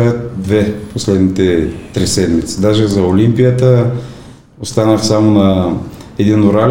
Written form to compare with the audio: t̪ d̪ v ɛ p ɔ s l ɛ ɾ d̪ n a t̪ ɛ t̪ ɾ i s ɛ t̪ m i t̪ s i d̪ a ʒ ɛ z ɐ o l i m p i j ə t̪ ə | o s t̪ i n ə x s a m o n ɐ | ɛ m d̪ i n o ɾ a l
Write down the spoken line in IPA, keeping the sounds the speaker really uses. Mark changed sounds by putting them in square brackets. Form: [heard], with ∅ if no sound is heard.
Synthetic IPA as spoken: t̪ d̪ v ɛ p [o] s l ɛ [∅] d̪ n [i] t̪ ɛ t̪ ɾ i s ɛ [d̪] m i t̪ s i d̪ a ʒ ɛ z ɐ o l i m p i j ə t̪ ə | o s t̪ [a] n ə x s a m o n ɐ | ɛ [∅] d̪ i n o ɾ a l